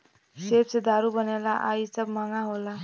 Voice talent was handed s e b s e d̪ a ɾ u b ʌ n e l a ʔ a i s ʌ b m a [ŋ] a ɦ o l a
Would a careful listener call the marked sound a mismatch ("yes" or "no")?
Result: no